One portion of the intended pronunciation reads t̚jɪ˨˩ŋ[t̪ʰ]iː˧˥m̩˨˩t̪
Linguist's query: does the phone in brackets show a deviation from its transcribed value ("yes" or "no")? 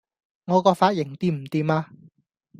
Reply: yes